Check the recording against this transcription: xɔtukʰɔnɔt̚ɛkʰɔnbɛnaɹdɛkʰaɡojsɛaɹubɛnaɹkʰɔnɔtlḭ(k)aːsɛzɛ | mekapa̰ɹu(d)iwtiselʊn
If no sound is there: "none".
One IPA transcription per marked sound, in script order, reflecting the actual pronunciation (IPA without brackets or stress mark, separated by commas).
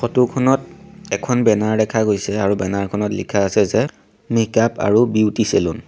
kʰ, b